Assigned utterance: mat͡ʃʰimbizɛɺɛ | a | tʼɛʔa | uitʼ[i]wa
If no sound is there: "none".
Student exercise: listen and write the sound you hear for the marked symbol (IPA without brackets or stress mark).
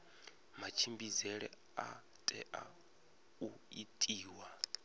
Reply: iː